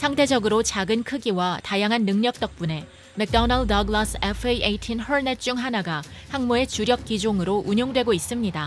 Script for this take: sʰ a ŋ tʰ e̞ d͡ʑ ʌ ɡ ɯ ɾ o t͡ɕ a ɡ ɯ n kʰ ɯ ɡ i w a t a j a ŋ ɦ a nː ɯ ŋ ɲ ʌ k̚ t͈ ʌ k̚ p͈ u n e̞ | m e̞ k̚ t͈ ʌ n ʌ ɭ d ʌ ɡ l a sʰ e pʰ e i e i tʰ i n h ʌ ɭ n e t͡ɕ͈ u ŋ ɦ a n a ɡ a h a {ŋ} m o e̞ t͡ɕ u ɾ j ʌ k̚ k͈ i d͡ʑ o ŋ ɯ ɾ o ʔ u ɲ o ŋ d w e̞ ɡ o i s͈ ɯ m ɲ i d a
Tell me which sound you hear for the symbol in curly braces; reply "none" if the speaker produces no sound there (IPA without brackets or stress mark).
ŋ